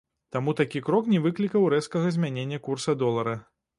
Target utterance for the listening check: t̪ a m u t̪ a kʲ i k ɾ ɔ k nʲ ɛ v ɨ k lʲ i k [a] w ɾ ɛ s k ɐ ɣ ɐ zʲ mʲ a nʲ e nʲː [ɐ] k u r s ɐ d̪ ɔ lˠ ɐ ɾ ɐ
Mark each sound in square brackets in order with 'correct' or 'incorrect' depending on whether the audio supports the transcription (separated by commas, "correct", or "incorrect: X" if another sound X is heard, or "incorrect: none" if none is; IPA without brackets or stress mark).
incorrect: ɐ, correct